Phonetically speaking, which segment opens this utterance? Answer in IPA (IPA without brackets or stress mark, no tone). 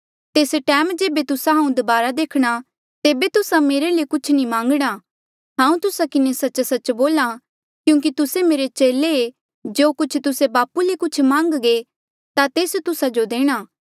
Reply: t̪